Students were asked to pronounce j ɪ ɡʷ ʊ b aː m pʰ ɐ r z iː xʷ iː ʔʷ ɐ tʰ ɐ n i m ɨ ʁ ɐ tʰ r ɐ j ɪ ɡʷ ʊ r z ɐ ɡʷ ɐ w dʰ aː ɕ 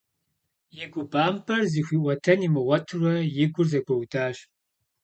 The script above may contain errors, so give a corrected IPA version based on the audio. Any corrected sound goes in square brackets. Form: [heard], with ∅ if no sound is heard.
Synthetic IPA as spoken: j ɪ ɡʷ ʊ b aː m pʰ ɐ r z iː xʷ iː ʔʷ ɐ tʰ ɐ n i m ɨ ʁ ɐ tʰ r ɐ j ɪ ɡʷ ʊ r z ɐ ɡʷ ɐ w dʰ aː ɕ